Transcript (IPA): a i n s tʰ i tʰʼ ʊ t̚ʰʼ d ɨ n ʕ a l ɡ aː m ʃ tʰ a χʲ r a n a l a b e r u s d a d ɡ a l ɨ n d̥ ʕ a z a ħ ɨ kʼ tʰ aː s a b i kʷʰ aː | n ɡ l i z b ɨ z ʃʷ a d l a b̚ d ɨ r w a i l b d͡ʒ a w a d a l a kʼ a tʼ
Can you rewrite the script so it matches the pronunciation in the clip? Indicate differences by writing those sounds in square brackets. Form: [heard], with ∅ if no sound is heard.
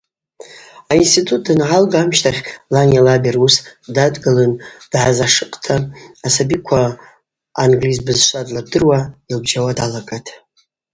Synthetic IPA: a i n s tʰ i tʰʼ [u] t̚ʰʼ d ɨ n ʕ a l ɡ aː m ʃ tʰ a χʲ [l] a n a l a b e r u s d a d ɡ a l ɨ n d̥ ʕ a z a [ʂ] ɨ [qʼ] tʰ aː s a b i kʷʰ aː | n ɡ l i z b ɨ z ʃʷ a d l a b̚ d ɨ r w a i l b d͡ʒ a w a d a l a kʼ a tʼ